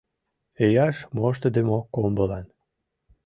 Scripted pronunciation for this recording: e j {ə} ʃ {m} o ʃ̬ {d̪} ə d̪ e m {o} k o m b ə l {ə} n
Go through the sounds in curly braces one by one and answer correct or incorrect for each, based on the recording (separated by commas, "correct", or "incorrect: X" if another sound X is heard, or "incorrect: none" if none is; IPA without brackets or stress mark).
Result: incorrect: ɑ, correct, incorrect: t̪, correct, incorrect: ɑ